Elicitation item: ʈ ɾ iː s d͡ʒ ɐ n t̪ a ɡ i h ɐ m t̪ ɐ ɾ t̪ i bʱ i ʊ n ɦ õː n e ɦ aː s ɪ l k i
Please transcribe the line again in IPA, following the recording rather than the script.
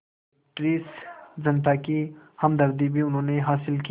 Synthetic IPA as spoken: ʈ ɾ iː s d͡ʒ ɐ n t̪ a k i h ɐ m d̪ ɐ ɾ d̪ i bʱ i ʊ n ɦ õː n e ɦ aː s ɪ l k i